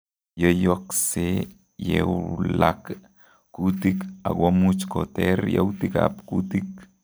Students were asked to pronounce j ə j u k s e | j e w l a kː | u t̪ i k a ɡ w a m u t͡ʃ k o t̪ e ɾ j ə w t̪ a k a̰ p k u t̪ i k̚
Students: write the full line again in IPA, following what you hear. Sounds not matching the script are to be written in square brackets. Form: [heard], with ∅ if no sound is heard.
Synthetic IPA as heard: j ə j [o] k s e | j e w l a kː | u t̪ i k a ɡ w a m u t͡ʃ k o t̪ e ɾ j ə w t̪ [i] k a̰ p k u t̪ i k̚